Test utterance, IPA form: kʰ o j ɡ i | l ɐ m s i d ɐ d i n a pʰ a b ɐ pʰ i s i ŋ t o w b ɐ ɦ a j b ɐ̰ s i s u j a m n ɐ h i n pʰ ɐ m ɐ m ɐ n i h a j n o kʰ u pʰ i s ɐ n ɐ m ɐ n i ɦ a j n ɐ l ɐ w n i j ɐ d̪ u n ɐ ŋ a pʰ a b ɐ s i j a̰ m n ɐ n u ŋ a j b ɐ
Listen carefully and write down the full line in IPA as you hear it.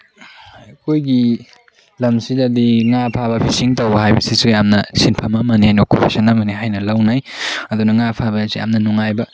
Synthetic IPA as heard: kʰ o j ɡ i | l ɐ m s i d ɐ d i ŋ a pʰ a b ɐ pʰ i s i ŋ t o w b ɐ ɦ a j b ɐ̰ s i s u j a m n ɐ s i n pʰ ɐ m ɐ m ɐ n i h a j n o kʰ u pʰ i s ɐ n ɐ m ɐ n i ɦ a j n ɐ l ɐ w n a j ɐ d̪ u n ɐ ŋ a pʰ a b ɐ s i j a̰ m n ɐ n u ŋ a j b ɐ